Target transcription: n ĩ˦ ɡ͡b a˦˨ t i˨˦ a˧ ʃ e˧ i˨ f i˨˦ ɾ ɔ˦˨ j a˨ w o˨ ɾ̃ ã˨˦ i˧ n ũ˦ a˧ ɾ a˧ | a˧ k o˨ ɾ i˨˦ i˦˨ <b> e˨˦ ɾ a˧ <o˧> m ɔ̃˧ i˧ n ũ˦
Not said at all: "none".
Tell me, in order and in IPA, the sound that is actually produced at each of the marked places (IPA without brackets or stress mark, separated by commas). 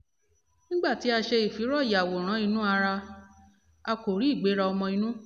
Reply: ɡ͡b, ɔ˧